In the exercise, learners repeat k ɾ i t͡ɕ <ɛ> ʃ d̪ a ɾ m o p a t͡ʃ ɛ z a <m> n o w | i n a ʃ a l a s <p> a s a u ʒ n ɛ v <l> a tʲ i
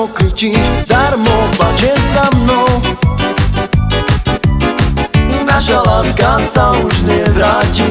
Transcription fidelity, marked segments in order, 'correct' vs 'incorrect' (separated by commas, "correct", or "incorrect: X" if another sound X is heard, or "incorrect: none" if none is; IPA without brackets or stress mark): incorrect: i, correct, incorrect: k, incorrect: ɾ